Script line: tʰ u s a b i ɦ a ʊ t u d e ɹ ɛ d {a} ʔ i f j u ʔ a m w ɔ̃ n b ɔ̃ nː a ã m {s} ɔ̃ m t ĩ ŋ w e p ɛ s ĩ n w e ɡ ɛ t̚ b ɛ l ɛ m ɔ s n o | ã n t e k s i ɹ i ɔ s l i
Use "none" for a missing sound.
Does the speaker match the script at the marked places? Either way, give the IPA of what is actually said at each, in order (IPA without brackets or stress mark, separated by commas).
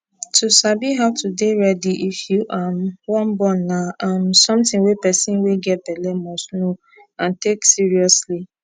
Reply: i, s